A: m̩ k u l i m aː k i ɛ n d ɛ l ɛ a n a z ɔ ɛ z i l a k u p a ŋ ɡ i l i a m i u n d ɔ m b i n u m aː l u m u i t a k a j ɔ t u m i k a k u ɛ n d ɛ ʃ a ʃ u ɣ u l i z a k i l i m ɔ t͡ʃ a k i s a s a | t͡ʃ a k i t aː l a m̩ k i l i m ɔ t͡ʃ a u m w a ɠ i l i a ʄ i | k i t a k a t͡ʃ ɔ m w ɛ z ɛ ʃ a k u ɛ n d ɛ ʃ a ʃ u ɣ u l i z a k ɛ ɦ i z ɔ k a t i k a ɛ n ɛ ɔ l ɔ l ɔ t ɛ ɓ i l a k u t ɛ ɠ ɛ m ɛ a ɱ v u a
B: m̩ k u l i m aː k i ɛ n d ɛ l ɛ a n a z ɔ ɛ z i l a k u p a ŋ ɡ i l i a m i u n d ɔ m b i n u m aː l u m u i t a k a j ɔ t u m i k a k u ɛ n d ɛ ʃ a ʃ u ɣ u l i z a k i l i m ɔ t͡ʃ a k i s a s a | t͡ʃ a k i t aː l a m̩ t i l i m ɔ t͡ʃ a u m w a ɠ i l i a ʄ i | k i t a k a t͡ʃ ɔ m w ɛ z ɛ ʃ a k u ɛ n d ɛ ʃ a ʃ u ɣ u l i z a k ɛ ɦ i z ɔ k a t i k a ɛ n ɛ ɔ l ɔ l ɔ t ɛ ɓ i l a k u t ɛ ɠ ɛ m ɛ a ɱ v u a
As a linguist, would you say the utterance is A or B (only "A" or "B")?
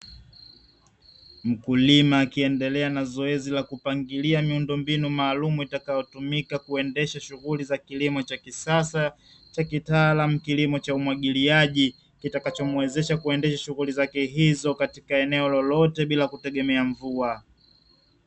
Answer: A